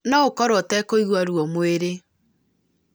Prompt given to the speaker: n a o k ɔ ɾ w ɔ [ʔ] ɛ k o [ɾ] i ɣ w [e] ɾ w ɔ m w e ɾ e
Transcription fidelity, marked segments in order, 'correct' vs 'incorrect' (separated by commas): incorrect, incorrect, incorrect